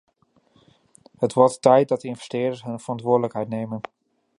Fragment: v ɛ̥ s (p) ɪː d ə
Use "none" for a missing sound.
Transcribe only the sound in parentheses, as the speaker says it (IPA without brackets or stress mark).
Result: t